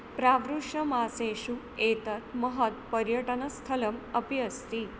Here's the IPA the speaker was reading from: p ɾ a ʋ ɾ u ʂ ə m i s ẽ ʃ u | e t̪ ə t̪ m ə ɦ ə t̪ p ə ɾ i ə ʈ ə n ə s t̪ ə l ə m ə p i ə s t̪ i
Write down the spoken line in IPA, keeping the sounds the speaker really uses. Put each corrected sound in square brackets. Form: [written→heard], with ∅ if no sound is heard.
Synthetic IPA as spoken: p ɾ a ʋ ɾ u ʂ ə m [i→a] s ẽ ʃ u | e t̪ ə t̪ m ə ɦ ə t̪ p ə ɾ [i→j] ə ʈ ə n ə s [t̪→t̪ʰ] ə l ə m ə p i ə s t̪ i